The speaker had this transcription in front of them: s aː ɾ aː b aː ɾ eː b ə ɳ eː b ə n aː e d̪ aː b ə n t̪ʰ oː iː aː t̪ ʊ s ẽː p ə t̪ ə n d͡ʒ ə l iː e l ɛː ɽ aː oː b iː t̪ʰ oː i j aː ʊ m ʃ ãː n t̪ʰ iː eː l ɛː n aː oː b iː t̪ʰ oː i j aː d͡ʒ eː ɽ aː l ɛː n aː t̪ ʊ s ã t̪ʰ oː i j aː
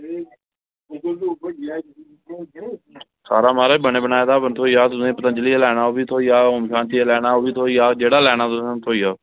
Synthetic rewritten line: s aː ɾ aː m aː ɾ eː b ə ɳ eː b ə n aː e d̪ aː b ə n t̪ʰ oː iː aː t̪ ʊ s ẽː p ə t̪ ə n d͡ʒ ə l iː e l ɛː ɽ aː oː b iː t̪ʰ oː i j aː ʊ m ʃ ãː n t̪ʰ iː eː l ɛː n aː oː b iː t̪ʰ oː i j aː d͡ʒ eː ɽ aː l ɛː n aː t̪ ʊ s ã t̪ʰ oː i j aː

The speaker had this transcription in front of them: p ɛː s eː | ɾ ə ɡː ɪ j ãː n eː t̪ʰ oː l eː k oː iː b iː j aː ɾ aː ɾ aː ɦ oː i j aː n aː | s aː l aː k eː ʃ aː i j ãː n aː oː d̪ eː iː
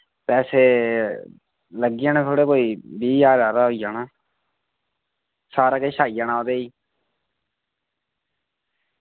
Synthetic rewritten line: p ɛː s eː | l ə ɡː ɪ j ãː n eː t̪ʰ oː ɽ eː k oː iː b iː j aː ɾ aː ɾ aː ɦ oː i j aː n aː | s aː ɾ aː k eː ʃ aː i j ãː n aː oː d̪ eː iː

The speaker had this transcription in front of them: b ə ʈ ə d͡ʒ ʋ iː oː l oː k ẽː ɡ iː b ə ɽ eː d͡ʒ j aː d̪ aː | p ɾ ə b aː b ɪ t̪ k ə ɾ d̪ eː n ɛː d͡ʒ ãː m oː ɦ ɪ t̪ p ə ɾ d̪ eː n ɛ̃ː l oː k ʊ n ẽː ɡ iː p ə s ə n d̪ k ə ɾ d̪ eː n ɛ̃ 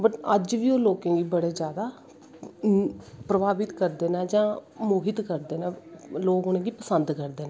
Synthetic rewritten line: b ə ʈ ə d͡ʒ ʋ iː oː l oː k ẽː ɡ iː b ə ɽ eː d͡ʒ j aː d̪ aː | p ɾ ə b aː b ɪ t̪ k ə ɾ d̪ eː n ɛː d͡ʒ ãː m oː ɦ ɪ t̪ k ə ɾ d̪ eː n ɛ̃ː l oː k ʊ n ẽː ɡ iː p ə s ə n d̪ k ə ɾ d̪ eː n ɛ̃

